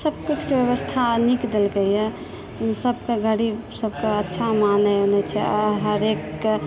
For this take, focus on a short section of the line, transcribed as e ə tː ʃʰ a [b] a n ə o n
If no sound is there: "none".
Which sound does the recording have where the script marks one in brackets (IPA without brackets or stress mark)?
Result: m